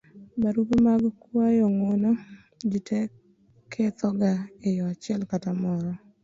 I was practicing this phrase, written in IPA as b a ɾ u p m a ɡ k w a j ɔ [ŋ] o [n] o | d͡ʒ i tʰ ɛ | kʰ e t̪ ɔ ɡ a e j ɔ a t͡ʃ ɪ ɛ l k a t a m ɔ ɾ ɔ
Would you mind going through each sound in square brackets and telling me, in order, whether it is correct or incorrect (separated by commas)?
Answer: correct, correct